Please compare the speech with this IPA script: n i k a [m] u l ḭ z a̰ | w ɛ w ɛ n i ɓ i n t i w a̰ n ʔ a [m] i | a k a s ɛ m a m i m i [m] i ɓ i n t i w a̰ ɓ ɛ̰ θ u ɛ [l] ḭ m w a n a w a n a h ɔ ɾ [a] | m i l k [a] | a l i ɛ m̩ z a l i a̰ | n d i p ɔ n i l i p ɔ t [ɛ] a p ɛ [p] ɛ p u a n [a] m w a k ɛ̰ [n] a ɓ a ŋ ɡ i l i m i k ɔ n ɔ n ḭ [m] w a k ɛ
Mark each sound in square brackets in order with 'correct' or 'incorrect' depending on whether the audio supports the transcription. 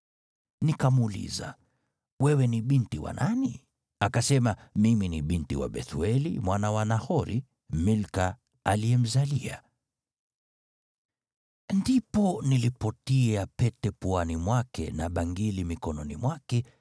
correct, incorrect, incorrect, correct, incorrect, correct, incorrect, incorrect, incorrect, correct, correct

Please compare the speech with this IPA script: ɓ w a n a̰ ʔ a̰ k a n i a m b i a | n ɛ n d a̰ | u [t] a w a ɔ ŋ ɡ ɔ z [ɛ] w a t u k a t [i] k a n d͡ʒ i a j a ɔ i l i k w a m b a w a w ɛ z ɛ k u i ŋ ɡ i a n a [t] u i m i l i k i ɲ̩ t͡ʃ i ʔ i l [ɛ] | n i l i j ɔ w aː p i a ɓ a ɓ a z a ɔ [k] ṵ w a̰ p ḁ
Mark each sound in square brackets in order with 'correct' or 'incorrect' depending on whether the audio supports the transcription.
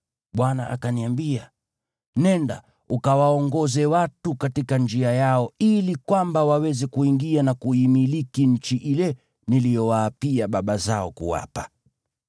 incorrect, correct, correct, incorrect, correct, correct

